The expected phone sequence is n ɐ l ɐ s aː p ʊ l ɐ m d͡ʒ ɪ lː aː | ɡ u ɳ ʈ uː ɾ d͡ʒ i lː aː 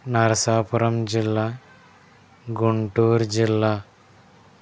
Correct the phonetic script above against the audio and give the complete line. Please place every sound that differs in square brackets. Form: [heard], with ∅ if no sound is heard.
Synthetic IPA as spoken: n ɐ [ɾ] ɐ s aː p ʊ [ɾ] ɐ m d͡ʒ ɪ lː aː | ɡ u ɳ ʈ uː ɾ d͡ʒ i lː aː